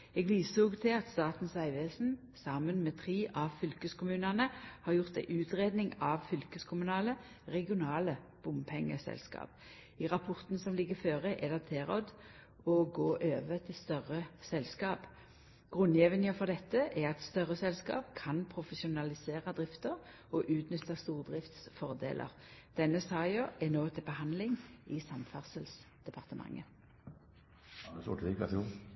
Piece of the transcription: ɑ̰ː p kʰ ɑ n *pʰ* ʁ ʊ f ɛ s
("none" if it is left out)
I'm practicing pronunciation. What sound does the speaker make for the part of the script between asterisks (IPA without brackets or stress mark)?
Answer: pʰ